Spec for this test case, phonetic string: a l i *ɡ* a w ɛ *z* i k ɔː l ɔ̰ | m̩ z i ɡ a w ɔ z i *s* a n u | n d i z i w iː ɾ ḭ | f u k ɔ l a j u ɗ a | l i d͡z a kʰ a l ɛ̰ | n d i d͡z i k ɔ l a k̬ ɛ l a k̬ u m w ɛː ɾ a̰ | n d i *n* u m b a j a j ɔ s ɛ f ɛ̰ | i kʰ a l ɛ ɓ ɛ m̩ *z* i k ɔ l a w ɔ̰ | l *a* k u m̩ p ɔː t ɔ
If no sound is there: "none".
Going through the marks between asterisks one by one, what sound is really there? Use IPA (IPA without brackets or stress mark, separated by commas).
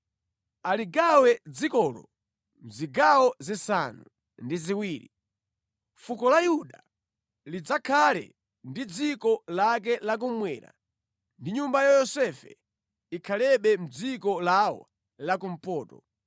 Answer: ɡ, d͡z, s, ɲ, d͡z, a